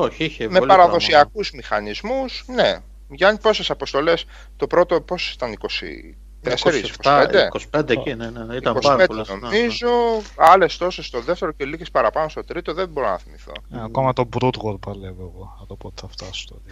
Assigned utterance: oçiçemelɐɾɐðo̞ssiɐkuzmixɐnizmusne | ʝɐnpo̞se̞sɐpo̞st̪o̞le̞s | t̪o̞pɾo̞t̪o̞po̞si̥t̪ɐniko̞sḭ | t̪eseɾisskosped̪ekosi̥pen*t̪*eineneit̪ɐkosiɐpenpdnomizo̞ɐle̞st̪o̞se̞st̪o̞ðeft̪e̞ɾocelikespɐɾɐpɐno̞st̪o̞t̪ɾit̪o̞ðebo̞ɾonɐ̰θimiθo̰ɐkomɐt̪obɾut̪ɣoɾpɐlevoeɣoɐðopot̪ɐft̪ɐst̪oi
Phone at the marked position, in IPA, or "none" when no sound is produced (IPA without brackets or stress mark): d̪